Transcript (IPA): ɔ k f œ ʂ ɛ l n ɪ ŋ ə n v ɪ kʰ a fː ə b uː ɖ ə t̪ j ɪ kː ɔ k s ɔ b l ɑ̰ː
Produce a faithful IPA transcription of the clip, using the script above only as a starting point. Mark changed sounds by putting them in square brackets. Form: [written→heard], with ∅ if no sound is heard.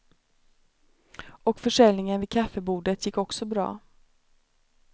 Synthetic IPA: ɔ k f œ ʂ ɛ l n ɪ ŋ ə n v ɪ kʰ a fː ə b uː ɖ ə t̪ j ɪ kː ɔ k s ɔ b [l→ɾ] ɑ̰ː